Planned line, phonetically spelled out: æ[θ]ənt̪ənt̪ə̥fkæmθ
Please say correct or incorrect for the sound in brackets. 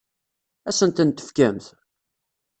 incorrect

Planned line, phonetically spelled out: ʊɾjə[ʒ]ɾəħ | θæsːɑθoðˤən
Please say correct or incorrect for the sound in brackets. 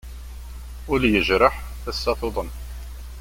correct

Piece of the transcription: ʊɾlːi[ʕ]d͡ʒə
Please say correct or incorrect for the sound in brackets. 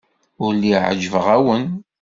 correct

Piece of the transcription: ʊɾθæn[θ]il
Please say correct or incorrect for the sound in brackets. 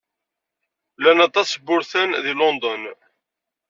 incorrect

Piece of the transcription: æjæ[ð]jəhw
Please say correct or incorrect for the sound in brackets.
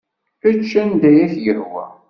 incorrect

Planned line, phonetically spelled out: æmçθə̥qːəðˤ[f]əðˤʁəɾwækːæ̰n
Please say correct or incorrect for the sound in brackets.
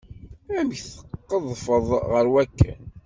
correct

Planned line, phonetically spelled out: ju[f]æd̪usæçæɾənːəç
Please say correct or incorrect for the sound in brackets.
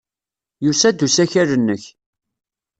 incorrect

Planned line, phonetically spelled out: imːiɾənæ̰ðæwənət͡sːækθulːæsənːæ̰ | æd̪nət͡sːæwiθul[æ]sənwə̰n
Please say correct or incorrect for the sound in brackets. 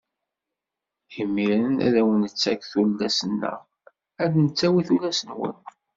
correct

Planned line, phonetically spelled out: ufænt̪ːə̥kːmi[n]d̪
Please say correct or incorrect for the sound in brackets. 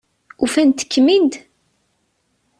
correct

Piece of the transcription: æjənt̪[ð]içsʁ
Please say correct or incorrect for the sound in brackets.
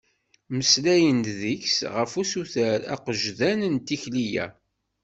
correct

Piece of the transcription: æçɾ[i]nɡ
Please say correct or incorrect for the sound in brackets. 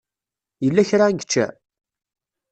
incorrect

